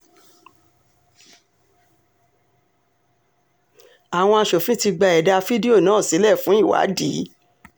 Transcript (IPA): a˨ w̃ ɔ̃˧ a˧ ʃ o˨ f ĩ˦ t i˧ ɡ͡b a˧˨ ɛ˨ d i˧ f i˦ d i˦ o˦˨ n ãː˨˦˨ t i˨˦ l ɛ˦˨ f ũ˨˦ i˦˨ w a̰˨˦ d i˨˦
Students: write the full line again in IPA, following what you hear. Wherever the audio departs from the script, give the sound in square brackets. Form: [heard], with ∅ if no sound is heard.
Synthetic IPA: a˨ w̃ ɔ̃˧ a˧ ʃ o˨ f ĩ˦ t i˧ ɡ͡b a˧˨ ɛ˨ d [a˧] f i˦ d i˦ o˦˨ n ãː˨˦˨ [s] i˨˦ l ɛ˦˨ f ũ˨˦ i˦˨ w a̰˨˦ d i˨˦